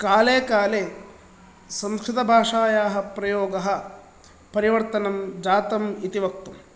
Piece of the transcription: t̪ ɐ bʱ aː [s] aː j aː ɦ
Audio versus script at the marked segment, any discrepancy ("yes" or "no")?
yes